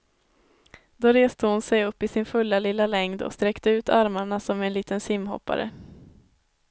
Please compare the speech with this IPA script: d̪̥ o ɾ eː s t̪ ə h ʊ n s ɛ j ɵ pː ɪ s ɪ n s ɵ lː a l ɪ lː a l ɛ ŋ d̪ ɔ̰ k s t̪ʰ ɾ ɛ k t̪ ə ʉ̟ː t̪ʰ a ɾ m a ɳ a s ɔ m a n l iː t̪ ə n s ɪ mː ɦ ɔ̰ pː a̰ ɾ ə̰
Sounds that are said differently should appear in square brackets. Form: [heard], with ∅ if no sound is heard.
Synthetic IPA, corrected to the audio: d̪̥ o ɾ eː s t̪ ə h ʊ n s ɛ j ɵ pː ɪ s ɪ n [f] ɵ lː a l ɪ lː a l ɛ ŋ d̪ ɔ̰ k s [t̪] ɾ ɛ k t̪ ə ʉ̟ː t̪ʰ a ɾ m a ɳ a s ɔ m [ɛ] n l iː t̪ ə n s ɪ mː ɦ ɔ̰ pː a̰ ɾ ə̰